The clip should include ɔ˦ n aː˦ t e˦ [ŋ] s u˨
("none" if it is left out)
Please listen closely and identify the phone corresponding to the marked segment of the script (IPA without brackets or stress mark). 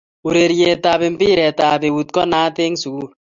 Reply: ŋ